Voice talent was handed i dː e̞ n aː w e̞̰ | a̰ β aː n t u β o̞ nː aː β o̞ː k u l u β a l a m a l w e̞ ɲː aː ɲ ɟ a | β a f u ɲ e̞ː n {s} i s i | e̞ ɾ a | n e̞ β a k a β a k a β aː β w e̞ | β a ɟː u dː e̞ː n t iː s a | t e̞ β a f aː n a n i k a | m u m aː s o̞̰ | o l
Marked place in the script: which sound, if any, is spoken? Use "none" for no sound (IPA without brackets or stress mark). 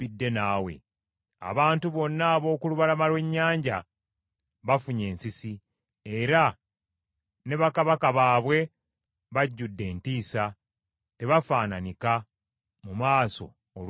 s